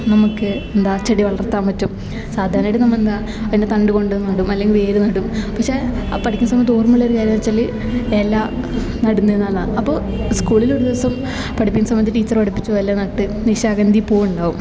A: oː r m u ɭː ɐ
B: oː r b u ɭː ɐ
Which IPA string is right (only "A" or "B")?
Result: A